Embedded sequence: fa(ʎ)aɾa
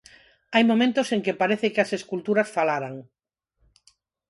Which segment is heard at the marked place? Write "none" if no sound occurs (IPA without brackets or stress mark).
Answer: l